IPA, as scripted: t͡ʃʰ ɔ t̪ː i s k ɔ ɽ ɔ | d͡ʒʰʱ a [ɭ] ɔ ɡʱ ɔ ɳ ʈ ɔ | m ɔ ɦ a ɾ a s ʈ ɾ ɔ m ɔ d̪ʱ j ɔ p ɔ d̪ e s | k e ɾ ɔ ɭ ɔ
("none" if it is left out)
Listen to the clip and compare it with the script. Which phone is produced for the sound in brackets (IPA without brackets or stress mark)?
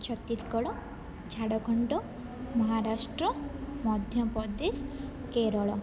ɽ